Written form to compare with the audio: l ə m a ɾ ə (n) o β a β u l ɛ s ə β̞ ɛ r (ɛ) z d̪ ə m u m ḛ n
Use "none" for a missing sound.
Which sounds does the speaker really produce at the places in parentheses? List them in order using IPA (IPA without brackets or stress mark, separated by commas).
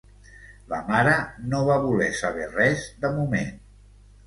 n, ɛ